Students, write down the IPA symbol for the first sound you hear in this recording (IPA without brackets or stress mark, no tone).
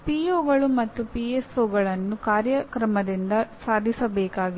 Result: p